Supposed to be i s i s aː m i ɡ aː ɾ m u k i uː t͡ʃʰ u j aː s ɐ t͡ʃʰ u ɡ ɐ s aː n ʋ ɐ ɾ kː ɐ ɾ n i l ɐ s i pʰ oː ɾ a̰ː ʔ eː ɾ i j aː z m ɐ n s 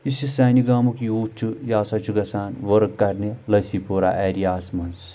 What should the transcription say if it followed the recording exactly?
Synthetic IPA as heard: i s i s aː n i ɡ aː m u k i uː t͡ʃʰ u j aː s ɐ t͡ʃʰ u ɡ ɐ s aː n ʋ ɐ ɾ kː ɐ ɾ n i l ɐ s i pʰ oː ɾ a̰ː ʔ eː ɾ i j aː s m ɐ n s